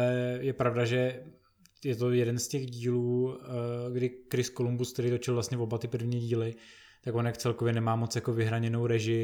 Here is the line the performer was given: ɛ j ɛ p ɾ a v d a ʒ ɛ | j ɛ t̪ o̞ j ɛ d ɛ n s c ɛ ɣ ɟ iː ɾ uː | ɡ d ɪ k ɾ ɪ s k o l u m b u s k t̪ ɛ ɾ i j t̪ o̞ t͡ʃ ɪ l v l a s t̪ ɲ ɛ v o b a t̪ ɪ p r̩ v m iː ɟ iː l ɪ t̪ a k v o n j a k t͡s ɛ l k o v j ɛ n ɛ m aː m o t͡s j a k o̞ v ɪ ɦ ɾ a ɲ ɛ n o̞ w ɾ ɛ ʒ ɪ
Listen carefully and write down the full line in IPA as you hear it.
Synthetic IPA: ɛ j ɛ p ɾ a v d a ʒ ɛ | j ɛ t̪ o̞ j ɛ d ɛ n s c ɛ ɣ ɟ iː l uː | ɡ d ɪ k ɾ ɪ s k o l u m b u s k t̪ ɛ ɾ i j t̪ o̞ t͡ʃ ɪ l v l a s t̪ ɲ ɛ v o b a t̪ ɪ p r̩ v ɲ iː ɟ iː l ɪ t̪ a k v o n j a k t͡s ɛ l k o v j ɛ n ɛ m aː m o t͡s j a k o̞ v ɪ ɦ ɾ a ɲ ɛ n o̞ w ɾ ɛ ʒ ɪ